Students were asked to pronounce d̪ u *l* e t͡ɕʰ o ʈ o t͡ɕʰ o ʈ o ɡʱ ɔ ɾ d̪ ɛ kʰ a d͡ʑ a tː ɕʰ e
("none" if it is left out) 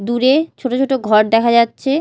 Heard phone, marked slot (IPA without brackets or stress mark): ɾ